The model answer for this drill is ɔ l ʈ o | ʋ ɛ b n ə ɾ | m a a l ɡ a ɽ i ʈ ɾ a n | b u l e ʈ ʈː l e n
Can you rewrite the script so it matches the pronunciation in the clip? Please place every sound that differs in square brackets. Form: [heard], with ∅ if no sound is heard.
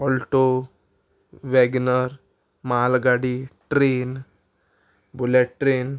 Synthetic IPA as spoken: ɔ l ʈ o | ʋ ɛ [ɡ] n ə ɾ | m a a l ɡ a ɽ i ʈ ɾ [e] n | b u l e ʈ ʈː [ɾ] e n